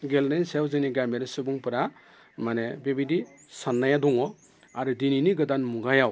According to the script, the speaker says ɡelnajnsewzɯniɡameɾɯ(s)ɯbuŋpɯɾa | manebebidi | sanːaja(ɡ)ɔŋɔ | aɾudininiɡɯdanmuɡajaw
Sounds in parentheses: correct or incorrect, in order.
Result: correct, incorrect: d

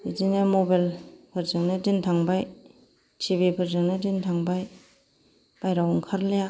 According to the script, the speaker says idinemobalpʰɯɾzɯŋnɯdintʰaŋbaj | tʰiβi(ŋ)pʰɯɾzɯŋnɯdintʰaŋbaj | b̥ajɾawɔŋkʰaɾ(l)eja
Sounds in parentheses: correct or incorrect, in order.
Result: incorrect: none, correct

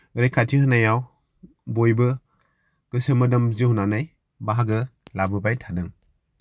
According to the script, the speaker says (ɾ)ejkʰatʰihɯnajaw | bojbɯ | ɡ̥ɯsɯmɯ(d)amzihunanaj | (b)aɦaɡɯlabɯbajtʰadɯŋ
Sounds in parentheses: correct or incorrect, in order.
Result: correct, correct, correct

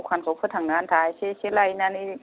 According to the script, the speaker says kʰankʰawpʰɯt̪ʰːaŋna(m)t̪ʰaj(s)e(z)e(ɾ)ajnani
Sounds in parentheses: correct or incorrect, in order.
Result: incorrect: n, correct, incorrect: s, incorrect: l

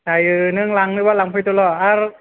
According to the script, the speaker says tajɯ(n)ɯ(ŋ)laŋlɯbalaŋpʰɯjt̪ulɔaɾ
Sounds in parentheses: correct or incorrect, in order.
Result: correct, correct

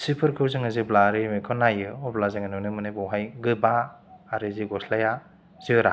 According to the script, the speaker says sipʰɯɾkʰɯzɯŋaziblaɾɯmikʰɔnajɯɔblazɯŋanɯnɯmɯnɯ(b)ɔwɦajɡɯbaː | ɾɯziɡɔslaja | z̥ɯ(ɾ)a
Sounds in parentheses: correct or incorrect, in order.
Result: correct, correct

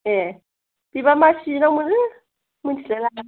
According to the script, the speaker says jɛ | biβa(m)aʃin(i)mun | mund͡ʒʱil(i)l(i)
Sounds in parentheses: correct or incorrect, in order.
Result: correct, incorrect: a, incorrect: ɛ, incorrect: a

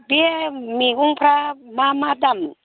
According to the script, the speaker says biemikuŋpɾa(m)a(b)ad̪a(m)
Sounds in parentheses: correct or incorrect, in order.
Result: correct, incorrect: m, correct

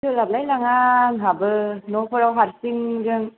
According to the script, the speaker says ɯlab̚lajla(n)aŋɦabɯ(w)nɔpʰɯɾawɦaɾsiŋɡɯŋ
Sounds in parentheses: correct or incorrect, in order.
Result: incorrect: ŋ, incorrect: none

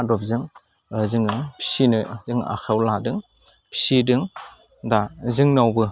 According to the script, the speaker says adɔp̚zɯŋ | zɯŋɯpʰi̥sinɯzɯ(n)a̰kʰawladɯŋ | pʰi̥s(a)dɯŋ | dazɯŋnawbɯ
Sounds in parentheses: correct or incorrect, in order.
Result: incorrect: ŋ, incorrect: i

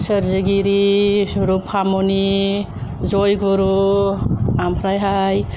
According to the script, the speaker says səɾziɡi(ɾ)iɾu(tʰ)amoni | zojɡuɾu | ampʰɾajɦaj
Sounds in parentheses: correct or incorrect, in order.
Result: correct, incorrect: pʰ

